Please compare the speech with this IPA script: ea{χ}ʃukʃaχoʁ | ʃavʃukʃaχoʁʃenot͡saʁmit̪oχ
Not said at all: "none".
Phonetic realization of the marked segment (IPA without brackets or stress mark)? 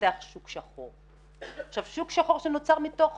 χ